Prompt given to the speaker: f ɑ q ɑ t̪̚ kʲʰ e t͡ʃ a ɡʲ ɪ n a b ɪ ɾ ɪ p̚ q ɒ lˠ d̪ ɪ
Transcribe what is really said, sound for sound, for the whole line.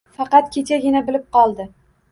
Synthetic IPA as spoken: f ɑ q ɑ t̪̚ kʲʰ e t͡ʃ a ɡʲ ɪ n a b ɪ l ɪ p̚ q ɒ lˠ d̪ ɪ